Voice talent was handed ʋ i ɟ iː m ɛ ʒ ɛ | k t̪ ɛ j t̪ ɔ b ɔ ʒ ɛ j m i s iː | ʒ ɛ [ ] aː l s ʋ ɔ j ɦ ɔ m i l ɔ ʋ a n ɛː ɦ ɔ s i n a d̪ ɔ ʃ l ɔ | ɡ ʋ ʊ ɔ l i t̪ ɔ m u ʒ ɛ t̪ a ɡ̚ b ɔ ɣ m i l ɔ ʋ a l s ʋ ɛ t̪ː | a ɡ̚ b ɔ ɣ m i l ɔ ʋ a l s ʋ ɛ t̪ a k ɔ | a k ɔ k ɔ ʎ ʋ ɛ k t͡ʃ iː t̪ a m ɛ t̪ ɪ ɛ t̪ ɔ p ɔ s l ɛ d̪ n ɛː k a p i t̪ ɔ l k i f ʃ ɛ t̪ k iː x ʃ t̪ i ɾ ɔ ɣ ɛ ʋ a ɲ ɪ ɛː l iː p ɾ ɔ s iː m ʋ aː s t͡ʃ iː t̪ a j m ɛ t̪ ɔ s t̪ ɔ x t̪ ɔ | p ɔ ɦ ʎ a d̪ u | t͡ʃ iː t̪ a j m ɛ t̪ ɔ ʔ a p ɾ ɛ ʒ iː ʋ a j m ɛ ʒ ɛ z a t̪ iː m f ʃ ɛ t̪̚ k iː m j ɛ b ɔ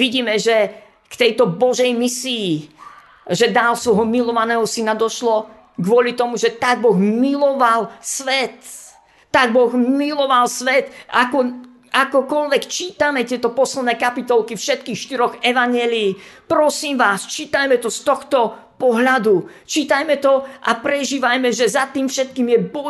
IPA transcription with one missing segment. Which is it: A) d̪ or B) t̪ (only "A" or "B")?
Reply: A